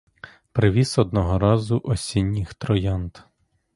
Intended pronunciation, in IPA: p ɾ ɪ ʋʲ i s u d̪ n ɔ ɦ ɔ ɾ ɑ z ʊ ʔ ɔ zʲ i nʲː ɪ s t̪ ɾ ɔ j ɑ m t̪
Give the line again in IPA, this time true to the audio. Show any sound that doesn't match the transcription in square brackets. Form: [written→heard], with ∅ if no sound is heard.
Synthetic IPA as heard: p ɾ ɪ ʋʲ i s [u→ɔ] d̪ n ɔ ɦ ɔ ɾ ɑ z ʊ ʔ ɔ [zʲ→sʲ] i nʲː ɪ [s→x] t̪ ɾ ɔ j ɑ [m→n] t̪